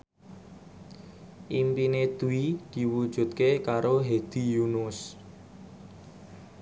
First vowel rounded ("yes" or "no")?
no